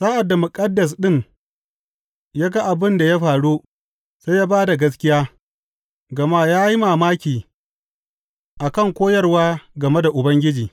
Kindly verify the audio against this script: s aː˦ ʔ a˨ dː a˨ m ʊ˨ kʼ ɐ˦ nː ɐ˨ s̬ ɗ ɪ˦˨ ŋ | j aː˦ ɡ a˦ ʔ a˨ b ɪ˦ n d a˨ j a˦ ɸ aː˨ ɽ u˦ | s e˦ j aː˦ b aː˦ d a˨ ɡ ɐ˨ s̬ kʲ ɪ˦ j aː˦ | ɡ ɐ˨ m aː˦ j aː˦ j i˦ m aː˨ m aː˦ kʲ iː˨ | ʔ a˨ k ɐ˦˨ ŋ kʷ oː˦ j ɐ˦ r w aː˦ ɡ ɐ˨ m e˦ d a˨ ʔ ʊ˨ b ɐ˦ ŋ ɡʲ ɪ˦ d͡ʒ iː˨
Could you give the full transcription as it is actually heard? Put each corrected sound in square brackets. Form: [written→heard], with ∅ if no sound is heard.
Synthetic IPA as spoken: s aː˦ ʔ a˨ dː a˨ m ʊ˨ kʼ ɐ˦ [nː→dː] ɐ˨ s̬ ɗ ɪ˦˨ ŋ | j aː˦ ɡ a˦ ʔ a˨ b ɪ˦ n d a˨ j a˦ ɸ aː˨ ɽ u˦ | s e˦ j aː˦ b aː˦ d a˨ ɡ [ɐ˨→ɐ˦] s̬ kʲ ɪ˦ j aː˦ | ɡ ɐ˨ m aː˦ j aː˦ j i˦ m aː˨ m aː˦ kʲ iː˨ | ʔ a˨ k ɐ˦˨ ŋ kʷ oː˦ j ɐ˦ r w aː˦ ɡ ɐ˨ m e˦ d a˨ ʔ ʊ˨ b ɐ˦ ŋ ɡʲ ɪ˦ d͡ʒ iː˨